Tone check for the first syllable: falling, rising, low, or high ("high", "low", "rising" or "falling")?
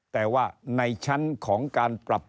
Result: low